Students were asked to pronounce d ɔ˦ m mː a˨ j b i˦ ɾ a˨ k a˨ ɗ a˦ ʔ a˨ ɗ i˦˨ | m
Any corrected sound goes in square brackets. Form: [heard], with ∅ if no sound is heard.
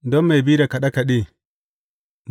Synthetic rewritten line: d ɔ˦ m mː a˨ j b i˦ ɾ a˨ k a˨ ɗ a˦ [k] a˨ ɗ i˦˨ | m